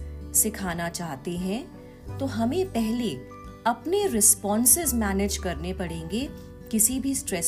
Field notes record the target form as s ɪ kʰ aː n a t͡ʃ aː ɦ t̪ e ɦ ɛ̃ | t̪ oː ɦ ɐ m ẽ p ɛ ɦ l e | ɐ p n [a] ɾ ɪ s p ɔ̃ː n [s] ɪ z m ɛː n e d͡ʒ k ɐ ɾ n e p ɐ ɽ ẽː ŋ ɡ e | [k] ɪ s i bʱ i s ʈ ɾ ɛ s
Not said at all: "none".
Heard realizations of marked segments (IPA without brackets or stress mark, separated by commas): e, s, k